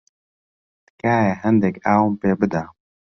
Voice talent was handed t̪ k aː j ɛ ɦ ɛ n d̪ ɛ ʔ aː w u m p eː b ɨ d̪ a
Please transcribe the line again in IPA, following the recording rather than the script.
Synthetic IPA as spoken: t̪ k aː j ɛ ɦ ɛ n d̪ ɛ k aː w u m p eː b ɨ d̪ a